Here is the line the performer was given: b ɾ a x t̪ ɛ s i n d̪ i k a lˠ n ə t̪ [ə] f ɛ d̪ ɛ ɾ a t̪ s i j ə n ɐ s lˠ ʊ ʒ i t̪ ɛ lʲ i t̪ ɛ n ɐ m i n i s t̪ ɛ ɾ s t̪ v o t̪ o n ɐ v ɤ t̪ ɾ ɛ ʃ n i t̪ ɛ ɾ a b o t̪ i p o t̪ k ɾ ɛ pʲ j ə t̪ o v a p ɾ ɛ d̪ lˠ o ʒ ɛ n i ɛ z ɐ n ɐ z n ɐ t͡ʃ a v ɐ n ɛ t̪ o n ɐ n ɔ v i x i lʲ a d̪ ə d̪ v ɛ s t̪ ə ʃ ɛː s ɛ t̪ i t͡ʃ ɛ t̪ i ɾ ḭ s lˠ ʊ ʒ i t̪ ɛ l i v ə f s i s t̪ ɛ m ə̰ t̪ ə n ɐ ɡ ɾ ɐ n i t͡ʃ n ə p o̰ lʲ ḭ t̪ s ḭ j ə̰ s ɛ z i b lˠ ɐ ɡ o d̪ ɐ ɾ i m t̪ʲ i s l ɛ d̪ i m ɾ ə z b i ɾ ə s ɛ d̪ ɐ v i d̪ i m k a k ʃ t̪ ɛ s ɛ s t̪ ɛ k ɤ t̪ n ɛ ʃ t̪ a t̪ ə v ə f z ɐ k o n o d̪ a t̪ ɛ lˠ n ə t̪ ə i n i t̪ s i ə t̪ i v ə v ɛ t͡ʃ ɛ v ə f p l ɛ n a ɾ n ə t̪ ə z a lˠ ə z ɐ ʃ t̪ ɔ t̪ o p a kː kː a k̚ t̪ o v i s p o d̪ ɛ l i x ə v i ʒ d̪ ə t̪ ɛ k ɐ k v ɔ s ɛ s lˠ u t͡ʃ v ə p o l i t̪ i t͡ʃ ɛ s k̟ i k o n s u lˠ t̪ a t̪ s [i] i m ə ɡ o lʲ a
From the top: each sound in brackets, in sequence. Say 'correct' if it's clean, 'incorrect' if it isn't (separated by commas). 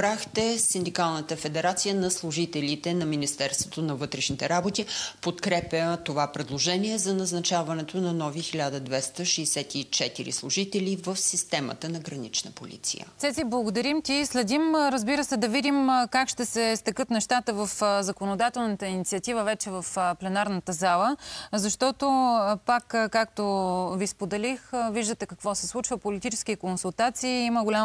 correct, incorrect